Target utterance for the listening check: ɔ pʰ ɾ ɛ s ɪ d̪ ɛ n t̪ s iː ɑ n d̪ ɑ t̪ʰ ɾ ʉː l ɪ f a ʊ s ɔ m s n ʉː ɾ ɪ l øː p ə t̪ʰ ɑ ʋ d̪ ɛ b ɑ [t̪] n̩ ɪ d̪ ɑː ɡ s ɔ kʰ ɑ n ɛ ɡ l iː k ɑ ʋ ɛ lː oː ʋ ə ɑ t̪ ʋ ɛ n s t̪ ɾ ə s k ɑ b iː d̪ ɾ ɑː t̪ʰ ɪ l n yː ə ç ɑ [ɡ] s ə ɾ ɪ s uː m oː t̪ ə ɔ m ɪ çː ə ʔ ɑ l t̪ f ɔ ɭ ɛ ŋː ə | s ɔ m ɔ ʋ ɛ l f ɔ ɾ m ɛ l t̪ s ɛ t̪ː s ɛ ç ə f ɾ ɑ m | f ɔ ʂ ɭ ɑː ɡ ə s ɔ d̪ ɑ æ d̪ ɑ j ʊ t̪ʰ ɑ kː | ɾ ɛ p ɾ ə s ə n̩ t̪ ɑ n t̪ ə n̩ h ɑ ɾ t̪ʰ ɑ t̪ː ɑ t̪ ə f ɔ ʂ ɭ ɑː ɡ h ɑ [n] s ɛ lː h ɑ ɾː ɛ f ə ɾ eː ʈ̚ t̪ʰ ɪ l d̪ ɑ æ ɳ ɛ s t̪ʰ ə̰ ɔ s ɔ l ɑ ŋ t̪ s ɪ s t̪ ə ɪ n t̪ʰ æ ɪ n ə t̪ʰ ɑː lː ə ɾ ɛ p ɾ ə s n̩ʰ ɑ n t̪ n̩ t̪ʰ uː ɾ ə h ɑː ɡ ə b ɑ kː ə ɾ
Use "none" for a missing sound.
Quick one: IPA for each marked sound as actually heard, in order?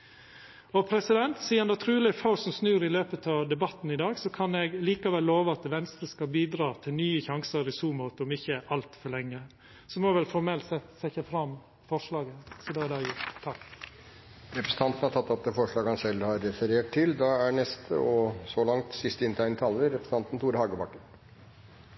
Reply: t̪, ŋ, n

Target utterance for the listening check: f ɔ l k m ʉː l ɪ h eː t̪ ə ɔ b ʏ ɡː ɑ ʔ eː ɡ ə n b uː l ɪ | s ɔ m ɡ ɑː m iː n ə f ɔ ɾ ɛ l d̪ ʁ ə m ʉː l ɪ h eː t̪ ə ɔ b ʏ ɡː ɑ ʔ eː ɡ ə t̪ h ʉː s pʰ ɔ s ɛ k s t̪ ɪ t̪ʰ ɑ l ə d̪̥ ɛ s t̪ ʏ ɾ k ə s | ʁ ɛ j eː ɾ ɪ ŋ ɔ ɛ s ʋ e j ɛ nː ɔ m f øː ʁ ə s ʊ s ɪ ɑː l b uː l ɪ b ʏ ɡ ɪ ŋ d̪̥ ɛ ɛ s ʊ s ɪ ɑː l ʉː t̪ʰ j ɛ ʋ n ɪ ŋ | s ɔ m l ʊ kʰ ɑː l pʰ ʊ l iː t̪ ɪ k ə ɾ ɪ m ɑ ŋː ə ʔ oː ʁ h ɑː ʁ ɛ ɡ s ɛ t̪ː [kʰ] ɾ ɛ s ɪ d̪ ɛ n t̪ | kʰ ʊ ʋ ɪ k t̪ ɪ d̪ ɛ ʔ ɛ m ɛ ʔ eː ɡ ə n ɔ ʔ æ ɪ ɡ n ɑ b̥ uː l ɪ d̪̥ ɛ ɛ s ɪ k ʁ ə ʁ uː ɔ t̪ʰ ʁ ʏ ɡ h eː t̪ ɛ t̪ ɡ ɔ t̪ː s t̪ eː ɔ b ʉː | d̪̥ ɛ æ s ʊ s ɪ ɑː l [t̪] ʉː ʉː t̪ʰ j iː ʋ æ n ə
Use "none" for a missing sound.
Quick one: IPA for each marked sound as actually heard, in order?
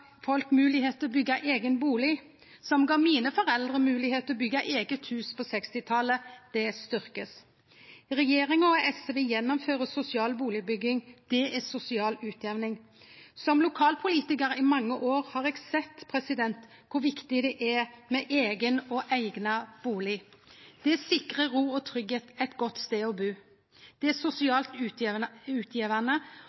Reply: pʰ, t̪

